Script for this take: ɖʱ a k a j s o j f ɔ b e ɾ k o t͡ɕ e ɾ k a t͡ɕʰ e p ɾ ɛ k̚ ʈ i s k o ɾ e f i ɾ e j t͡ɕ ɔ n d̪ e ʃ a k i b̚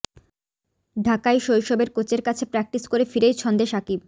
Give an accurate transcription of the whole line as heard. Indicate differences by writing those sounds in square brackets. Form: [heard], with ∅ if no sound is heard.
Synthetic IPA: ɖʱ a k a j [ʃ] o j [ʃ] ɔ b e ɾ k o t͡ɕ e ɾ k a t͡ɕʰ e p ɾ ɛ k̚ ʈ i s k o ɾ e f i ɾ e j [t͡ɕʰ] ɔ n d̪ e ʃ a k i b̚